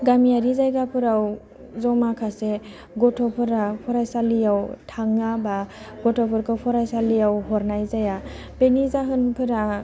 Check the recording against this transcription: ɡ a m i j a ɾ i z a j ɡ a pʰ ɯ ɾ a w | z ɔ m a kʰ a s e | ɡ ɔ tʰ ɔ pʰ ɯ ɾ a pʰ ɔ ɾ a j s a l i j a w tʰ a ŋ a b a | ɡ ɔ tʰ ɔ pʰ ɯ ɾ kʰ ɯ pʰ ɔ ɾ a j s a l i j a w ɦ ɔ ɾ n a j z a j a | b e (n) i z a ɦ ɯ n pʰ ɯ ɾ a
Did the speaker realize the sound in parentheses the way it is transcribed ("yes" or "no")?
yes